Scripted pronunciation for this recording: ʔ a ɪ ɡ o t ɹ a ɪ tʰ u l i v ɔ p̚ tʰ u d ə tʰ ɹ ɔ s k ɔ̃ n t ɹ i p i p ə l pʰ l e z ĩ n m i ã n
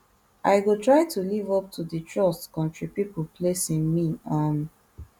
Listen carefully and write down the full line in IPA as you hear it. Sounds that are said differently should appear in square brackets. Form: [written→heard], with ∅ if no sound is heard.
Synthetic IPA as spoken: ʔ a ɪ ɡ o t ɹ a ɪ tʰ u l i v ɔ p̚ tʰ u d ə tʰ ɹ ɔ s k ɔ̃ n t ɹ i p i p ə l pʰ l e [z→s] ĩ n m i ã n